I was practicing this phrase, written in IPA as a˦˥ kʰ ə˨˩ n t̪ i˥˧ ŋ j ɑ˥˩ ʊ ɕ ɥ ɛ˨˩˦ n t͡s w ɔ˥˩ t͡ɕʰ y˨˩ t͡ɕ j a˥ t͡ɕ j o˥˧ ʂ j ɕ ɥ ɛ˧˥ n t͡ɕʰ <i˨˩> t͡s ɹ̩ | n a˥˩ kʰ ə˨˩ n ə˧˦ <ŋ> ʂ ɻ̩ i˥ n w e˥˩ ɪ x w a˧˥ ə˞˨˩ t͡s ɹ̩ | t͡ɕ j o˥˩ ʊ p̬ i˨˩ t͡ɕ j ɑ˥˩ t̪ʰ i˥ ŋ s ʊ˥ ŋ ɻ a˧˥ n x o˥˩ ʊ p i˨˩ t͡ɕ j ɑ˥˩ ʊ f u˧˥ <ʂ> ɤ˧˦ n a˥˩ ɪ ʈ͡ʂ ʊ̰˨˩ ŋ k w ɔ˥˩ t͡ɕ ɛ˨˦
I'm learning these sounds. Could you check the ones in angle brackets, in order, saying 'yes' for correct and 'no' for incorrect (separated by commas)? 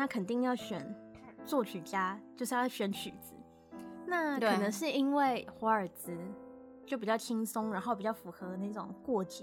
no, yes, no